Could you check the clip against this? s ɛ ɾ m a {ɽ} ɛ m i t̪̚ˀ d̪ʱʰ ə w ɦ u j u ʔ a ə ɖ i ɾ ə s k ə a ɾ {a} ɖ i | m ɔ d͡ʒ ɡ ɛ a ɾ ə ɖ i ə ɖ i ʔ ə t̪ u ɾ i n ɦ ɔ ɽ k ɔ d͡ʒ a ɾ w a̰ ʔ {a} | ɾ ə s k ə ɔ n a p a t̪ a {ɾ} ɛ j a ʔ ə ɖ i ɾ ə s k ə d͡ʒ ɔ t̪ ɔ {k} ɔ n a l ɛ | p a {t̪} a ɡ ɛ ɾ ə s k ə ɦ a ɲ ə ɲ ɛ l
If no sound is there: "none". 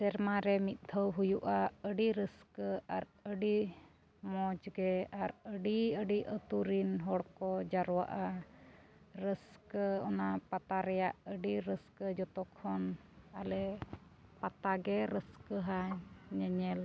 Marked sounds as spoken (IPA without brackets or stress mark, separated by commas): ɾ, ə, a, ɾ, kʰ, t̪